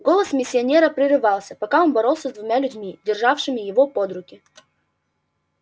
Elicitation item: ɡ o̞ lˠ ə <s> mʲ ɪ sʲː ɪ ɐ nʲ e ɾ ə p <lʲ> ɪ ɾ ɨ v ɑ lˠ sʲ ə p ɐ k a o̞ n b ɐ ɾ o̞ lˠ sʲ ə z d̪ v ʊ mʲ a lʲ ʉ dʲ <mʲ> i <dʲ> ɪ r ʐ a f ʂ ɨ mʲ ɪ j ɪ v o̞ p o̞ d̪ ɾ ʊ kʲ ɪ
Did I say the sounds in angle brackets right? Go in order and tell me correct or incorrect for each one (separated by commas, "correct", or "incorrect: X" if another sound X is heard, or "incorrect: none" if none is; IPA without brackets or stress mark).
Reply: correct, incorrect: ɾʲ, correct, correct